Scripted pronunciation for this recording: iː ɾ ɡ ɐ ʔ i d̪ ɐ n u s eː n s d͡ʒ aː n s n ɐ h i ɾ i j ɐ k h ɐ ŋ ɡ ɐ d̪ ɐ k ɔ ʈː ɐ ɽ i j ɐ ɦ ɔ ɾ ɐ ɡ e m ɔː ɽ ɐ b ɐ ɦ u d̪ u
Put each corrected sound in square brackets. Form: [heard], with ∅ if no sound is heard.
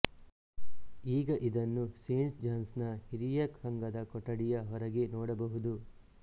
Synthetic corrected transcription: iː [∅] ɡ ɐ ʔ i d̪ ɐ [nː] u s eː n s d͡ʒ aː n s n ɐ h i ɾ i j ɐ k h ɐ ŋ ɡ ɐ d̪ ɐ k ɔ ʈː ɐ ɽ i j ɐ ɦ ɔ ɾ ɐ ɡ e [n] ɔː ɽ ɐ b ɐ ɦ u d̪ u